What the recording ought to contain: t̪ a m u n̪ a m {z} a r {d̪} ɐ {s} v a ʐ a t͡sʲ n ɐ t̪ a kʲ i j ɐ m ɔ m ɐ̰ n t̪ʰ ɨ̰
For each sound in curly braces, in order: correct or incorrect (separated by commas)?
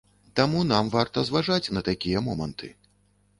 incorrect, incorrect, incorrect